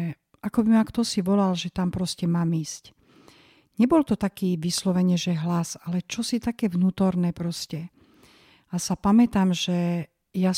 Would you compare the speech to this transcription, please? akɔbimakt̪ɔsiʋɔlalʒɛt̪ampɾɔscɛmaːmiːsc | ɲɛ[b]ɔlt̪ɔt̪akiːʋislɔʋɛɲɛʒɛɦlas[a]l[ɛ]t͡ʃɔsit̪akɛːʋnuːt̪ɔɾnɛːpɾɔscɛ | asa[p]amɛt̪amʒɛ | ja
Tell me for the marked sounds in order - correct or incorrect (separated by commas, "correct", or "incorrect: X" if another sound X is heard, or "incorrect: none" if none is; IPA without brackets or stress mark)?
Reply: correct, correct, correct, correct